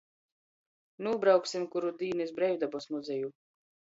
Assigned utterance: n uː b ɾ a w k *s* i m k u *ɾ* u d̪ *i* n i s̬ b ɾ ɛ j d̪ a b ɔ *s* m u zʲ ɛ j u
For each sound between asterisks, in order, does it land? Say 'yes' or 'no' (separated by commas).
yes, yes, no, yes